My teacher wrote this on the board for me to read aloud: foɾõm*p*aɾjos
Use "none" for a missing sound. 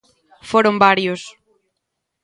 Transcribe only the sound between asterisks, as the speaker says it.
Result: b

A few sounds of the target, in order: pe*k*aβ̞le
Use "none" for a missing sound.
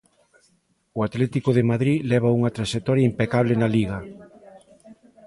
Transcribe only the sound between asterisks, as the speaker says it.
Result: k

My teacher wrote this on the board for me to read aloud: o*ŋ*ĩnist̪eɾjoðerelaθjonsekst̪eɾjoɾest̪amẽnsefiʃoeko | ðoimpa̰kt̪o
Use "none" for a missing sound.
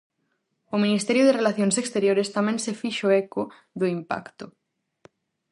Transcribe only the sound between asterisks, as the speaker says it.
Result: m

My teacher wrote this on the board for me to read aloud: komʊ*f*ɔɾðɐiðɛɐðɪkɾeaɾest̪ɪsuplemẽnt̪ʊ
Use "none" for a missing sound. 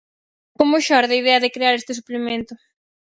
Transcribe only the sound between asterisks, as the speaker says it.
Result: ʃ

